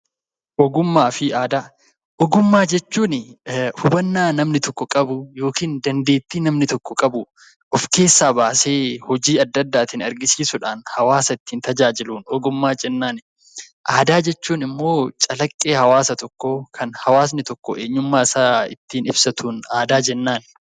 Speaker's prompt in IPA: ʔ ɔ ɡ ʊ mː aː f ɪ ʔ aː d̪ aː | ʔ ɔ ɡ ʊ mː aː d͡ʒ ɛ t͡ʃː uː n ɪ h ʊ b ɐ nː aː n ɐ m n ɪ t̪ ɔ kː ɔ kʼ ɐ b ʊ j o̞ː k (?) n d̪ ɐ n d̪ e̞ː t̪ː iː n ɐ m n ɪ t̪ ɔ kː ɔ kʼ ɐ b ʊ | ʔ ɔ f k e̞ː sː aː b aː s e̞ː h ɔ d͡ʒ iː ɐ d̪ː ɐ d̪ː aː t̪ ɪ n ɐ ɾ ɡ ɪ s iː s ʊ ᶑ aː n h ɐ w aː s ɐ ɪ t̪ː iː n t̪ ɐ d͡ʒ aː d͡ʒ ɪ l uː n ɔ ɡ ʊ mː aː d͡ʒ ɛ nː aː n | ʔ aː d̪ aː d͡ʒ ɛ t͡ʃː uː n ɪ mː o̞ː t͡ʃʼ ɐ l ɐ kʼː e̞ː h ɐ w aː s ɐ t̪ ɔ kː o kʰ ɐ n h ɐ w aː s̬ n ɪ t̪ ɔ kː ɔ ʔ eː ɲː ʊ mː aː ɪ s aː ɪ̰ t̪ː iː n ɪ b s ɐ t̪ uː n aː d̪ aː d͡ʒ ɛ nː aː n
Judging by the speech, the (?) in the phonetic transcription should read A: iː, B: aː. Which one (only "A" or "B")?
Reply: A